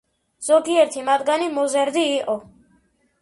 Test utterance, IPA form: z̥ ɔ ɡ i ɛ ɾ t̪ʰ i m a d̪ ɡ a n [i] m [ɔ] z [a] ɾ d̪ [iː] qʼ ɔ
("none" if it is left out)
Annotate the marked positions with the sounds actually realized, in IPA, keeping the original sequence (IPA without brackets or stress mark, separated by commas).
i, ɔ, ɛ, iː